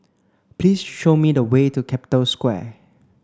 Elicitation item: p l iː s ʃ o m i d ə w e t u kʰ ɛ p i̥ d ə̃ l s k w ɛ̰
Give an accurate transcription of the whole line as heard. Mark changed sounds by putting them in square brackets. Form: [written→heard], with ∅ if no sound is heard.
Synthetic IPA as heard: p l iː s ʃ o m i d ə w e t u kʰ ɛ p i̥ [d→t] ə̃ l s k w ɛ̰